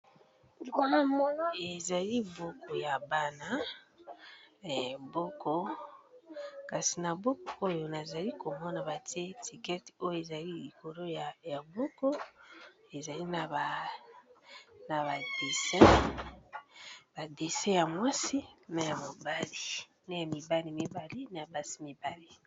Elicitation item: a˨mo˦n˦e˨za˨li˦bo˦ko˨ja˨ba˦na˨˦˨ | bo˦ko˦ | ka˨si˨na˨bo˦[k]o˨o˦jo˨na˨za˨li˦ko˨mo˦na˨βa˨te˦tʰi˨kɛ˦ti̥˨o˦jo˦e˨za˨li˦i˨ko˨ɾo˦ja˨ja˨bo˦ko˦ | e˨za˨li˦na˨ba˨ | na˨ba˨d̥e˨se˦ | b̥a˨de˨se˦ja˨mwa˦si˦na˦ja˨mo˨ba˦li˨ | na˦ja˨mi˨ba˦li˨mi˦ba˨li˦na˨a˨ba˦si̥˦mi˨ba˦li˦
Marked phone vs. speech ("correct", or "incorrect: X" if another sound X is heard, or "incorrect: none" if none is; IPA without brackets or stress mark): correct